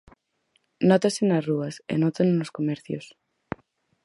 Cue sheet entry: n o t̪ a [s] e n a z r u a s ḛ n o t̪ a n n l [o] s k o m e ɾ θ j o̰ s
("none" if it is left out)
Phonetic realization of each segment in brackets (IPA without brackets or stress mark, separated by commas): s, o